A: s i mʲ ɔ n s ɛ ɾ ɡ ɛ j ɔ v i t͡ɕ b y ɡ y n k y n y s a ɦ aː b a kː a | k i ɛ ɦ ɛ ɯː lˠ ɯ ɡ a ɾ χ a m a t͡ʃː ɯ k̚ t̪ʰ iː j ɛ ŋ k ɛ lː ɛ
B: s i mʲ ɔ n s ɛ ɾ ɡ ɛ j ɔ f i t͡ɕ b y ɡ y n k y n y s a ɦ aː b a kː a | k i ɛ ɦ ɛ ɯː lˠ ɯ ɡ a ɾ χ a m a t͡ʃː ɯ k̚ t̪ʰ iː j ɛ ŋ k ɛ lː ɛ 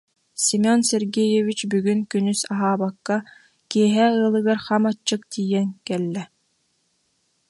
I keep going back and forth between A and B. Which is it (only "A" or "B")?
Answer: A